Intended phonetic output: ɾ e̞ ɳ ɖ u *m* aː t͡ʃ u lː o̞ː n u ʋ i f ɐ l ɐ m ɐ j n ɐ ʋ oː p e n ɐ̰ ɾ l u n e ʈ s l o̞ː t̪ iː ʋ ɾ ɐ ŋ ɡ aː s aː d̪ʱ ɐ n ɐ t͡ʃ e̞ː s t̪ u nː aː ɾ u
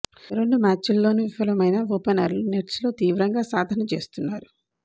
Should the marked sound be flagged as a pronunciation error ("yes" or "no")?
no